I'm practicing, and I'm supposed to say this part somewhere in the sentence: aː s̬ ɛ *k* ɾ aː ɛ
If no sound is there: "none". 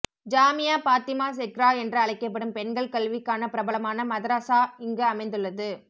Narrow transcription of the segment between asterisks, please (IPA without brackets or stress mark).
k